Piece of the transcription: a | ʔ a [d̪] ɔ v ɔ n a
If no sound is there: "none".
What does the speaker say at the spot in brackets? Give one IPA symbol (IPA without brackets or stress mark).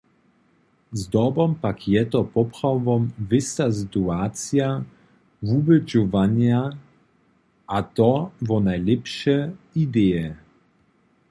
t̪